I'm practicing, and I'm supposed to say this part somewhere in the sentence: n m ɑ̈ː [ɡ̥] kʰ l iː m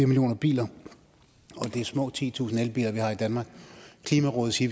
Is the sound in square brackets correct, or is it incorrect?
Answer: correct